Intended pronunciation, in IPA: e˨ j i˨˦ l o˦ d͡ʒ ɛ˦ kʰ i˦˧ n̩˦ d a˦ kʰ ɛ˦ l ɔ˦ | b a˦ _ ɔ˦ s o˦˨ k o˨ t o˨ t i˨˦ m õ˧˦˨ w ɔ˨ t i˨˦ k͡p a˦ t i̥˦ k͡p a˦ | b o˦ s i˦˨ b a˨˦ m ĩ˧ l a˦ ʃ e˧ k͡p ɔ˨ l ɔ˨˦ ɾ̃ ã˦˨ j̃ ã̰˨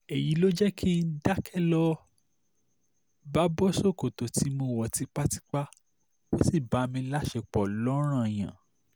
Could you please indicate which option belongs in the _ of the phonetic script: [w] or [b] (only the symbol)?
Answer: b